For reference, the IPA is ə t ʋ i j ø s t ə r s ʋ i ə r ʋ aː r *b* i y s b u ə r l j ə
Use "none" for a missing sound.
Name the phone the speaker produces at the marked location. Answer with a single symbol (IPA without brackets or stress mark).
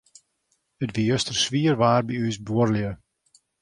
b